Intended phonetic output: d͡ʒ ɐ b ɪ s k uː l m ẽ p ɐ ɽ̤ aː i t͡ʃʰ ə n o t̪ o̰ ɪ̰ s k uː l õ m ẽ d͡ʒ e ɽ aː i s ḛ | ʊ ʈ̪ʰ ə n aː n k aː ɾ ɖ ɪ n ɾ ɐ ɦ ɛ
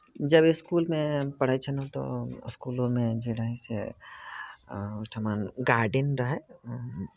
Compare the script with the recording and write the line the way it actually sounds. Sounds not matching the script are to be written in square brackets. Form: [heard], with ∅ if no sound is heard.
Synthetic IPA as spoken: d͡ʒ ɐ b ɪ s k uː l m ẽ p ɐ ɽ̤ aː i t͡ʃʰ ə n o t̪ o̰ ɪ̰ s k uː l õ m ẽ d͡ʒ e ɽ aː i s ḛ | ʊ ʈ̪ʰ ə [m] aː n [ɡ] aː ɾ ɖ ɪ n ɾ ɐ ɦ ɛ